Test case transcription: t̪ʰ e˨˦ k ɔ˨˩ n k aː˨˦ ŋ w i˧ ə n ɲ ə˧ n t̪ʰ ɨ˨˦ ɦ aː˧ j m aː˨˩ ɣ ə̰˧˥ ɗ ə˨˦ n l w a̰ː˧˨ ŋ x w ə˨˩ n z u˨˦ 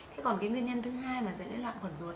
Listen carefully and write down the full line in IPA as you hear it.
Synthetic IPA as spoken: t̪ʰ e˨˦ k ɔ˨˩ n k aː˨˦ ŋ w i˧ ə n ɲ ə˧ n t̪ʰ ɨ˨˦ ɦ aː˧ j m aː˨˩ z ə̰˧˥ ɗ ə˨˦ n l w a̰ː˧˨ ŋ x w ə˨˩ n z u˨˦

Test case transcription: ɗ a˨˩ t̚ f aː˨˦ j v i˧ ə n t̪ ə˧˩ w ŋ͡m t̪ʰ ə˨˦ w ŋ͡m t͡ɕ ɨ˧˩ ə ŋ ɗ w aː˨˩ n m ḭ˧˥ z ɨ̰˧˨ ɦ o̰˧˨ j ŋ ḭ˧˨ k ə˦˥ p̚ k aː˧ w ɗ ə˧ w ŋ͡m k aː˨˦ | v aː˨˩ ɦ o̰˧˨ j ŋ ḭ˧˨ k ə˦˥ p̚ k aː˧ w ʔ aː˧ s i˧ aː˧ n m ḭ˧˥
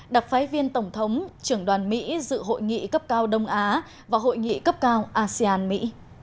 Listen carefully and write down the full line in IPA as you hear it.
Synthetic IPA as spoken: ɗ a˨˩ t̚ f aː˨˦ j v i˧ ə n t̪ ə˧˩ w ŋ͡m t̪ʰ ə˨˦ w ŋ͡m t͡ɕ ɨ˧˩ ə ŋ ɗ w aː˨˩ n m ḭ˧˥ z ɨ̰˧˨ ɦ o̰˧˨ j ŋ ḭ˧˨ k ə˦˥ p̚ k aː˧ w ɗ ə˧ w ŋ͡m ʔ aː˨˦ | v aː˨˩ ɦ o̰˧˨ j ŋ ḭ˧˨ k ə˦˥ p̚ k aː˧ w ʔ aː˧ s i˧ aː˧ n m ḭ˧˥

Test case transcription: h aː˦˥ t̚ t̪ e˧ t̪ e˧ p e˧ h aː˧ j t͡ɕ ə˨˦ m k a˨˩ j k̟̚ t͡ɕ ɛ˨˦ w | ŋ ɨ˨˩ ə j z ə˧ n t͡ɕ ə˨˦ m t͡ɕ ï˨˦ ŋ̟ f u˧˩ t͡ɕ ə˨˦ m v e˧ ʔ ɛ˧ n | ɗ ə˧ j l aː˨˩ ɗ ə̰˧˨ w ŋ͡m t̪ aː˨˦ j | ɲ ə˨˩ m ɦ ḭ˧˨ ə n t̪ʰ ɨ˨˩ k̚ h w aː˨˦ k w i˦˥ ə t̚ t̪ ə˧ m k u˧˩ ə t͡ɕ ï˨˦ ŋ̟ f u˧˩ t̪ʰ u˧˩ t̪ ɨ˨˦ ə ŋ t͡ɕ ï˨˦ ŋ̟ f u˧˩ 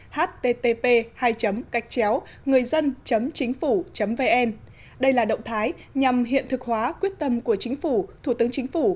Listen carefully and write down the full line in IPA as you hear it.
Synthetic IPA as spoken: h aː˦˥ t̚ t̪ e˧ t̪ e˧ p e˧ h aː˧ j t͡ɕ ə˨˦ m k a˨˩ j k̟̚ t͡ɕ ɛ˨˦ w | ŋ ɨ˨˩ ə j z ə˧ n t͡ɕ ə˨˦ m t͡ɕ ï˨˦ ŋ̟ f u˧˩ t͡ɕ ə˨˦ m v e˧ ʔ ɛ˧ n | ɗ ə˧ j l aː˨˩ ɗ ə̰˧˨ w ŋ͡m t̪ʰ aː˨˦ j | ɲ a˨˩ m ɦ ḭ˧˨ ə n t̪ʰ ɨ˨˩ k̚ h w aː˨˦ k w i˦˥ ə t̚ t̪ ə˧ m k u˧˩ ə t͡ɕ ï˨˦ ŋ̟ f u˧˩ t̪ʰ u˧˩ t̪ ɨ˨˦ ə ŋ t͡ɕ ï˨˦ ŋ̟ f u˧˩

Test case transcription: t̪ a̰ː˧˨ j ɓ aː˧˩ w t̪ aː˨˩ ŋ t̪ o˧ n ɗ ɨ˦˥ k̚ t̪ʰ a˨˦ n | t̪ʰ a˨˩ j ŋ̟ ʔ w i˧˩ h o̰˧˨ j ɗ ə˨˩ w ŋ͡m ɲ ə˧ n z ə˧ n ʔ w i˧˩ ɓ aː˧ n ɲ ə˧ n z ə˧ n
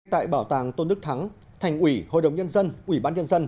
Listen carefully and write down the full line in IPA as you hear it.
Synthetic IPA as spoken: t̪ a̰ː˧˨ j ɓ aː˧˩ w t̪ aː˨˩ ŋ t̪ o˧ n ɗ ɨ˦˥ k̚ t̪ʰ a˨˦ ŋ | t̪ʰ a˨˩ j ŋ̟ ʔ w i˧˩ h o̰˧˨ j ɗ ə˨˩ w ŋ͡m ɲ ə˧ n z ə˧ n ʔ w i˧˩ ɓ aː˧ n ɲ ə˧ n z ə˧ n

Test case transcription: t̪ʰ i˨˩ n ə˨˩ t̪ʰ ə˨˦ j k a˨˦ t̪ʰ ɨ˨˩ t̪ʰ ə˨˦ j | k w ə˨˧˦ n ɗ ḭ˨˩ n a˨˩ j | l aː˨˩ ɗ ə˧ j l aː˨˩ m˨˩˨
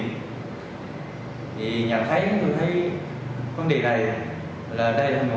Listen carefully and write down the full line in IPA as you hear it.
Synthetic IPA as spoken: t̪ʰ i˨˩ ɲ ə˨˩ t̪ʰ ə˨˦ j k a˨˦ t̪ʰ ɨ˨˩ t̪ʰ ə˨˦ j | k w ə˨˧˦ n ɗ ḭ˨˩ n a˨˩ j | l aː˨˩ ɗ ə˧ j l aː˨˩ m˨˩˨

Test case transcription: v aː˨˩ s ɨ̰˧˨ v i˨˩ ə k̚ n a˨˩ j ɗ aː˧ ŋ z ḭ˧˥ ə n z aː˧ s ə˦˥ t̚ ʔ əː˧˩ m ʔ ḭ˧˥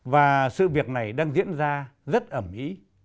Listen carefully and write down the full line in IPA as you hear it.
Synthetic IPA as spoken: v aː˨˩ s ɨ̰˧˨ v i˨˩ ə k̚ n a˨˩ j ɗ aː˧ ŋ z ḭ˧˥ ə n z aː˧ z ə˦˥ t̚ ʔ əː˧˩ m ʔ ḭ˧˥

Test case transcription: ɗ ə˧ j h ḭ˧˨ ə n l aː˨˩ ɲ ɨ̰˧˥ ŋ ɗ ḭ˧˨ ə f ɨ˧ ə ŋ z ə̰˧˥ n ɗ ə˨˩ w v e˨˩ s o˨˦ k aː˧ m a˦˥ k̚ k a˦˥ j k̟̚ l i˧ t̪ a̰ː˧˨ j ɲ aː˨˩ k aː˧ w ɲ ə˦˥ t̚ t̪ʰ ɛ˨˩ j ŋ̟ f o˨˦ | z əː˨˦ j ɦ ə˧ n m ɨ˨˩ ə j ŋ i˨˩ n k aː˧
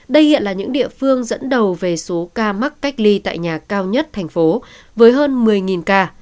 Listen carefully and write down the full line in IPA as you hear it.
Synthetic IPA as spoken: ɗ ə˧ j h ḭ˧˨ ə n l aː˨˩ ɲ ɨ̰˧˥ ŋ ɗ ḭ˧˨ ə f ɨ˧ ə ŋ z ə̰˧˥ n ɗ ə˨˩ w v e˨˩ s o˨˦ k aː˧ m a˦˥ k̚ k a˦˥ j k̟̚ l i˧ t̪ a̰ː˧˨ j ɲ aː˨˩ k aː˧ w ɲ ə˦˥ t̚ t̪ʰ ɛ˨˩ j ŋ̟ f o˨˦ | v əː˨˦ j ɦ əː˧ n m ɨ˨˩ ə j ŋ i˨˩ n k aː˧

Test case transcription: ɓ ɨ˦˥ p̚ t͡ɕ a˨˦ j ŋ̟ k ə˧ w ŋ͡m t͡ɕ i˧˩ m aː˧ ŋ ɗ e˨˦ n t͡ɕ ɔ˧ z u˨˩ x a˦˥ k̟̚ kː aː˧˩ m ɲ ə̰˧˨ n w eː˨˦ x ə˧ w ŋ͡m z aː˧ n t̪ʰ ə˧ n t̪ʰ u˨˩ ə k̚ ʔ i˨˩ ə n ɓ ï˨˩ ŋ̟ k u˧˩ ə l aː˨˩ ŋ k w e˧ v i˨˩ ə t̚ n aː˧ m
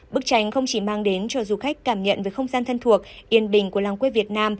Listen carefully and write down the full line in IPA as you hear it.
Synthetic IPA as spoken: ɓ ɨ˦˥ k̚ t͡ɕ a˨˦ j ŋ̟ x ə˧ w ŋ͡m t͡ɕ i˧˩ m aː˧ ŋ ɗ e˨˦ n t͡ɕ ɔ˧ z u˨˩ x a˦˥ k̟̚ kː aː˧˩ m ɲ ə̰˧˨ n v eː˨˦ x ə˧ w ŋ͡m z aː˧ n t̪ʰ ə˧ n t̪ʰ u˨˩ ə k̚ ʔ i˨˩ ə n ɓ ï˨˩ ŋ̟ k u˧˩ ə l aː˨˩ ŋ k w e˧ v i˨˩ ə t̚ n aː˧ m

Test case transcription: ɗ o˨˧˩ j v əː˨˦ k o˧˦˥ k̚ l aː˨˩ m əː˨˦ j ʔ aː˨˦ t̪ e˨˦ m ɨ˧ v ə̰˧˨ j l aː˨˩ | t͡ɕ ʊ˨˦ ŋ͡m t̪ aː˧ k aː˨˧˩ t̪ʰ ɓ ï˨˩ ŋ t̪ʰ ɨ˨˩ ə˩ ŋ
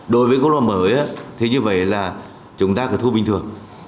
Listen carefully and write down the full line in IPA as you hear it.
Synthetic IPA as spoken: ɗ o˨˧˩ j v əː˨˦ k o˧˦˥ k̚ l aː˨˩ m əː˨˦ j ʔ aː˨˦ t̪ʰ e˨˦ ɲ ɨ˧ v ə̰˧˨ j l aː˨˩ | t͡ɕ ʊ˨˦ ŋ͡m t̪ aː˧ k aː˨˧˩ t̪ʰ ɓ ï˨˩ ŋ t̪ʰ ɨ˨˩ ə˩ ŋ

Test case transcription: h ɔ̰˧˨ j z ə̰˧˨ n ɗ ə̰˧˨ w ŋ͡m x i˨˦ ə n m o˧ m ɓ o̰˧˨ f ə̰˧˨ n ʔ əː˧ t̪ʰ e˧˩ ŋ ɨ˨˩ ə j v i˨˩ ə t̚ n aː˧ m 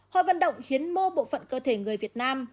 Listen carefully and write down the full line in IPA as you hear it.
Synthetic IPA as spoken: h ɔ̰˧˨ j v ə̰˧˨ n ɗ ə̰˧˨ w ŋ͡m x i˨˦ ə n m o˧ ɓ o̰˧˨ f ə̰˧˨ n k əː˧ t̪ʰ e˧˩ ŋ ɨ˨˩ ə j v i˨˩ ə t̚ n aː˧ m

